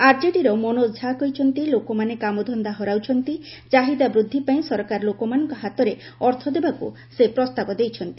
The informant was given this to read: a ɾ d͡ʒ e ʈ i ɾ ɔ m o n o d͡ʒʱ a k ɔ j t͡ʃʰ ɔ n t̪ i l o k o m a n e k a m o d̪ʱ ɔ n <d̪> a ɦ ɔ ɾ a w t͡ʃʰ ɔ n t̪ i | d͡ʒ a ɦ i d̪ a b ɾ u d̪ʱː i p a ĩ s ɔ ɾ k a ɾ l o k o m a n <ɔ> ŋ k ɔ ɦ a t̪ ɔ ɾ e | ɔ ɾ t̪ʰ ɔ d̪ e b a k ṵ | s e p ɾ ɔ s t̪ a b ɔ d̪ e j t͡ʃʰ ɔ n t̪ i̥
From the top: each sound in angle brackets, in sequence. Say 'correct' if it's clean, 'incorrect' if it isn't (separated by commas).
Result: correct, correct